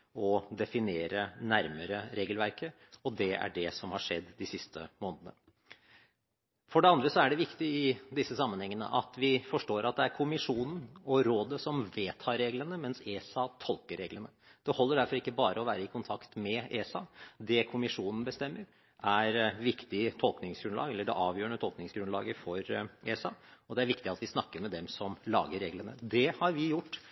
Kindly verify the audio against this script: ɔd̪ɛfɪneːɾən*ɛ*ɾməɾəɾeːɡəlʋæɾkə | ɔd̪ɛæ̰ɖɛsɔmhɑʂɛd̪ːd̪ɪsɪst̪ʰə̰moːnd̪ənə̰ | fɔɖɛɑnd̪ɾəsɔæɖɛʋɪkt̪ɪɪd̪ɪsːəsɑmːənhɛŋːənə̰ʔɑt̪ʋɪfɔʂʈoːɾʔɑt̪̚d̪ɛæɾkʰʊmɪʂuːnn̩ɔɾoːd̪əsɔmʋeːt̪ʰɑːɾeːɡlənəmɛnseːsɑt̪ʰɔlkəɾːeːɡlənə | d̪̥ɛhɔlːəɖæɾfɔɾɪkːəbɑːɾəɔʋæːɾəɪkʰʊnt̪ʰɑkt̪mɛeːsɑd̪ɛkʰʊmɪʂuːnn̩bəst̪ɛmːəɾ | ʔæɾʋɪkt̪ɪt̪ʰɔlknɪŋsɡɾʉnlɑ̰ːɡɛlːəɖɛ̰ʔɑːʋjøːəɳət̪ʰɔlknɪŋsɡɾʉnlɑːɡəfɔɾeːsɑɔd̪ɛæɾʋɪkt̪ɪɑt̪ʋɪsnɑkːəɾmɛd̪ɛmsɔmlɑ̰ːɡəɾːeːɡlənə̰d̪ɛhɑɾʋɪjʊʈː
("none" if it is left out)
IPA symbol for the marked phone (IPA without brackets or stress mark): æ